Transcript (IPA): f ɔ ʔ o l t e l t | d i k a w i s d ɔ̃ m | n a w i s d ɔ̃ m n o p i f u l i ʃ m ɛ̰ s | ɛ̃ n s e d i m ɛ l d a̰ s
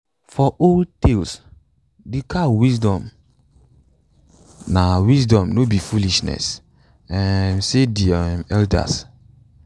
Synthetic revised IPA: f ɔ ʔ o l t e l s | d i k a w i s d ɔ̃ m | n a w i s d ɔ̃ m n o b i f u l i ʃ n ɛ̰ s | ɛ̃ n s e d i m ɛ l d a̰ s

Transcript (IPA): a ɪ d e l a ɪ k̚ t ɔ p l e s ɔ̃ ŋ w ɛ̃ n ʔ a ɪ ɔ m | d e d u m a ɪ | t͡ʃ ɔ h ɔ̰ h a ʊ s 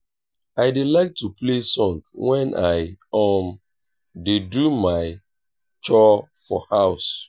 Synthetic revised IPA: a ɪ d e l a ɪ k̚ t u p l e s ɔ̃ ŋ w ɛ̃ n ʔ a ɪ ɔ m | d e d u m a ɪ | t͡ʃ ɔ f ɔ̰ h a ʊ s

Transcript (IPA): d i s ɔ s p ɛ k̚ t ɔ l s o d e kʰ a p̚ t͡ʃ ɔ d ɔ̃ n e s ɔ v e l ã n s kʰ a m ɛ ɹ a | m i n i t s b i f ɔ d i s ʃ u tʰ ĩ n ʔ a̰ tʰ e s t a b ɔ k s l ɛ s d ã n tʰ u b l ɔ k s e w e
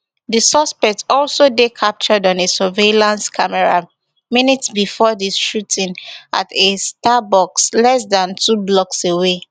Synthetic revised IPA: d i s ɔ s p ɛ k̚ t ɔ l s o d e kʰ a p̚ t͡ʃ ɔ d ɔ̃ n e s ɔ v e l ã n s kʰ a m ɛ ɹ a | m i n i t s b i f ɔ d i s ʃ u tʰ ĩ n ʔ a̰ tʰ e s t a b ɔ k s l ɛ s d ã n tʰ u b l ɔ k s e w e

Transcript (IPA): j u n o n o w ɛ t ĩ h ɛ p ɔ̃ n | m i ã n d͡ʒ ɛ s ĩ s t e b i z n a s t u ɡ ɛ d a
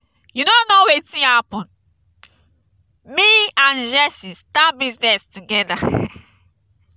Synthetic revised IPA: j u n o n o w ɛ t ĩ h a p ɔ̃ n | m i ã n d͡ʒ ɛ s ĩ s t a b i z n ɛ s t u ɡ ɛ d a

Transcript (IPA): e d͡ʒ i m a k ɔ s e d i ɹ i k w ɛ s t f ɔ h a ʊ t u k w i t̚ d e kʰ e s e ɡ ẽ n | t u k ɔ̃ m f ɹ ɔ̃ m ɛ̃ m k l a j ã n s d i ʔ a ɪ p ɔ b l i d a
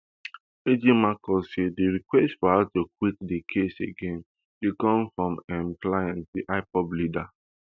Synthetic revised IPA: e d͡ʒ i m a k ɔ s e d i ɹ i k w ɛ s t f ɔ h a ʊ t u k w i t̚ d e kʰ e s e ɡ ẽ n | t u k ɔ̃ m f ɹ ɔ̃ m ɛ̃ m k l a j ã n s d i ʔ a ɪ p ɔ b l i d a

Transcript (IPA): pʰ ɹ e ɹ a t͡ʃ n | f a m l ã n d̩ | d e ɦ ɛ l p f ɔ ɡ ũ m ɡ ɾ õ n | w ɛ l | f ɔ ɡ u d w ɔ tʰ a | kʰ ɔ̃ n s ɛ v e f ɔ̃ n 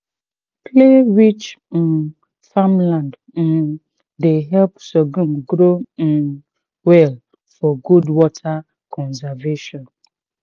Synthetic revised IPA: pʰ l e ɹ i t͡ʃ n | f a m l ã n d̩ | d e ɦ ɛ l p s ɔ ɡ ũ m ɡ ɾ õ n | w ɛ l | f ɔ ɡ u d w ɔ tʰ a | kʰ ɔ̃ n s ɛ v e ʃ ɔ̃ n

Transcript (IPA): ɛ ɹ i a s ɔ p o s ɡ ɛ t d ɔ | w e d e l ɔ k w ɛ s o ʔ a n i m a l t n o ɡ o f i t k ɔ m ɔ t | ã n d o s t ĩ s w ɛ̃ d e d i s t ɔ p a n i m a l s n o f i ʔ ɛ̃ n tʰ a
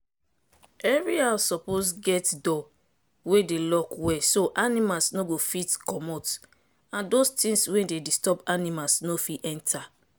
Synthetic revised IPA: ɛ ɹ i a s ɔ p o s ɡ ɛ t d ɔ | w e d e l ɔ k w ɛ s o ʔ a n i m a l s n o ɡ o f i t k ɔ m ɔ t | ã n d o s t ĩ s w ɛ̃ d e d i s t ɔ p a n i m a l s n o f i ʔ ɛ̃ n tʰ a

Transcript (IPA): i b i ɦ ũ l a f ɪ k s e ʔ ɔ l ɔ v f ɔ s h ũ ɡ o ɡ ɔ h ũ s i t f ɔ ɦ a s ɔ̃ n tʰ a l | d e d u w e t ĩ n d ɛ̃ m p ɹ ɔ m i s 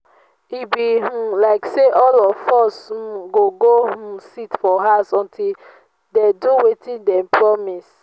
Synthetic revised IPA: i b i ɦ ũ l a ɪ k s e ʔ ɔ l ɔ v f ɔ s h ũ ɡ o ɡ o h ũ s i t f ɔ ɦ a s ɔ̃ n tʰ i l | d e d u w e t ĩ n d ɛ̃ m p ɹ ɔ m i s

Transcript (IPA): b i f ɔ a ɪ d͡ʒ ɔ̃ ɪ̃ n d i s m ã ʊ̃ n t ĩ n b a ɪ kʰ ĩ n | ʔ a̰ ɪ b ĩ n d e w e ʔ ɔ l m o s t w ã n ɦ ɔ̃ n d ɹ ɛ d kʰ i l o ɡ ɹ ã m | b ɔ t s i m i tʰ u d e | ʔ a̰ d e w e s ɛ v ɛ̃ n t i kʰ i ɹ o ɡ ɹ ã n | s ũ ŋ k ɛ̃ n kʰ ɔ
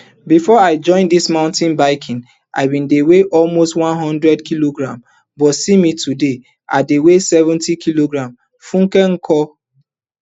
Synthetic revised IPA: b i f ɔ a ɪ d͡ʒ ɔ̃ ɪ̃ n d i s m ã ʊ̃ n t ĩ n b a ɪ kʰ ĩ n | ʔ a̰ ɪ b ĩ n d e w e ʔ ɔ l m o s t w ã n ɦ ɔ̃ n d ɹ ɛ d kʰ i l o ɡ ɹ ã m | b ɔ t s i m i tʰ u d e | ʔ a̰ d e w e s ɛ v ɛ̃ n t i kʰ i l o ɡ ɹ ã m | f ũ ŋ k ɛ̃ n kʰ ɔ

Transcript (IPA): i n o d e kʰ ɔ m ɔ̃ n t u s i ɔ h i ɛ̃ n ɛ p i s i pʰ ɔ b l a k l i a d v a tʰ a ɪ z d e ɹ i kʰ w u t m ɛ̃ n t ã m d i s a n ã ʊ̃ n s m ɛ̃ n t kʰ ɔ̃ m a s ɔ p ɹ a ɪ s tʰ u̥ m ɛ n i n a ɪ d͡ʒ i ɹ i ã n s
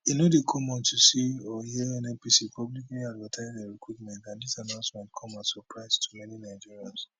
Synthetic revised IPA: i n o d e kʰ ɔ m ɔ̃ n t u s i ɔ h i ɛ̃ n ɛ p i s i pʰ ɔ b l i k l i a d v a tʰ a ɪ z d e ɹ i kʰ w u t m ɛ̃ n t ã n d i s a n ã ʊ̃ n s m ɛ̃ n t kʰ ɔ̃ m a s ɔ p ɹ a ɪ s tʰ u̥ m ɛ n i n a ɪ d͡ʒ i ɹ i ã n s

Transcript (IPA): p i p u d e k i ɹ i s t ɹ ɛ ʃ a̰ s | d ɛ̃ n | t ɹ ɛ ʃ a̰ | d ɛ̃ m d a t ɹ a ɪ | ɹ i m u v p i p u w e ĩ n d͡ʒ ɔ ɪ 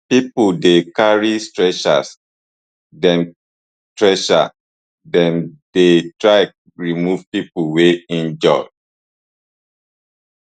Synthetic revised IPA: p i p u d e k a ɹ i s t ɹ ɛ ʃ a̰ s | d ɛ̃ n | t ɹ ɛ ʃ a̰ | d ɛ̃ n d e t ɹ a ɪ | ɹ i m u v p i p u w e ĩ n d͡ʒ ɔ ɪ

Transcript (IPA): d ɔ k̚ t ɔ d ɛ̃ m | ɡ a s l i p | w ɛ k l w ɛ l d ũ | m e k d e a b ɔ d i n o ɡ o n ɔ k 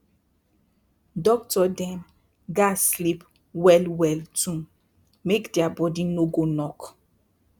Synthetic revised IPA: d ɔ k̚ t ɔ d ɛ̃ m | ɡ a s l i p | w ɛ l w ɛ l t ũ | m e k d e a b ɔ d i n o ɡ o n ɔ k

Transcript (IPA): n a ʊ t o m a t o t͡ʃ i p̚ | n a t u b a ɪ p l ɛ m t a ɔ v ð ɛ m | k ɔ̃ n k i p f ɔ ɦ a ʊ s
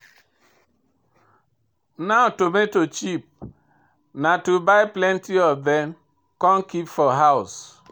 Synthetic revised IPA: n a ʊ t o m e t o t͡ʃ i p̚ | n a t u b a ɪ p l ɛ n t i ɔ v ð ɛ m | k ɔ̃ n k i p f ɔ ɦ a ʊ s

